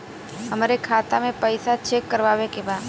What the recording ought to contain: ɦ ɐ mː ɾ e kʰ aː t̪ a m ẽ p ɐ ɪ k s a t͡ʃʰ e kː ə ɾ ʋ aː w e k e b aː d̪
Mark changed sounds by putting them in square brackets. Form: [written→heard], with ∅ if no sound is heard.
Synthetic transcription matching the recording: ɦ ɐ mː ɾ e kʰ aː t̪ a m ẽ p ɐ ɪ [k→∅] s a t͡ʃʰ e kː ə ɾ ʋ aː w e k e b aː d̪